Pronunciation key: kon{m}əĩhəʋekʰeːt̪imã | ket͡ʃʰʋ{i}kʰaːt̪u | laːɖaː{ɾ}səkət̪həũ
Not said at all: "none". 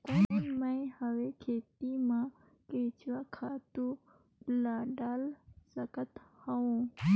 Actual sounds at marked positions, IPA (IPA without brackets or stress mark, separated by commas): m, a, l